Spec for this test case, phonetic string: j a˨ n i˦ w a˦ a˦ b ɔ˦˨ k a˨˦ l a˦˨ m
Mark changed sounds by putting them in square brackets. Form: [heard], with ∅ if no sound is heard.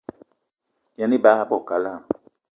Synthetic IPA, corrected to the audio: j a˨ n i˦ [b] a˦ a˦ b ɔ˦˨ k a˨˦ l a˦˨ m